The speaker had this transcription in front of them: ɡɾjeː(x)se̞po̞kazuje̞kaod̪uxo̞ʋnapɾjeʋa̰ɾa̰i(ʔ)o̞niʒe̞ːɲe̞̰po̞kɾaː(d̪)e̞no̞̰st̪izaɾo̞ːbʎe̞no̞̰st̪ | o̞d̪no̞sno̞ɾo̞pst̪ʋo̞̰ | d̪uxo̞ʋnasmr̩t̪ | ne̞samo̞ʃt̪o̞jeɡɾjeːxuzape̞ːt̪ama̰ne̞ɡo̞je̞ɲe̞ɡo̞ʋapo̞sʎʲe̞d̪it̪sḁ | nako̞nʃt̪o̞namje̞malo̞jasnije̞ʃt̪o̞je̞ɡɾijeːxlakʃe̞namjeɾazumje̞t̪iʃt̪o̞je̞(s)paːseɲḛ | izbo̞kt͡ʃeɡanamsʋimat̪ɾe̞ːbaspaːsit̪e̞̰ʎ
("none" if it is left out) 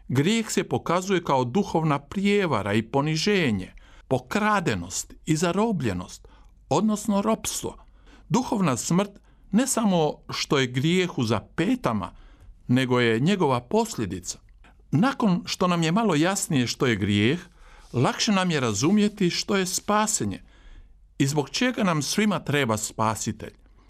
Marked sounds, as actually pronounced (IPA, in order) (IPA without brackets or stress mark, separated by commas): x, p, d̪, s